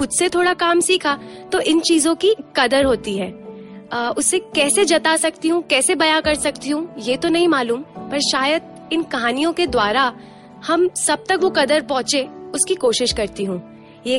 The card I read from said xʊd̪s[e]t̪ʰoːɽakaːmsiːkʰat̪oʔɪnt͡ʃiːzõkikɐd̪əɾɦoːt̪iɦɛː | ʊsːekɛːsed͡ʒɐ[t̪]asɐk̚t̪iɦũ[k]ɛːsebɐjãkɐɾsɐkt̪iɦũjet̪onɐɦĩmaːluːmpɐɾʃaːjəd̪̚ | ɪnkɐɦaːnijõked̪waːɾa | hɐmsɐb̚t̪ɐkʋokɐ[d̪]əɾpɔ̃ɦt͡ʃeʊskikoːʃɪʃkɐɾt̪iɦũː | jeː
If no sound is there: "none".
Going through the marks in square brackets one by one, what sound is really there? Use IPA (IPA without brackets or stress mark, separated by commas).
e, t̪, k, d̪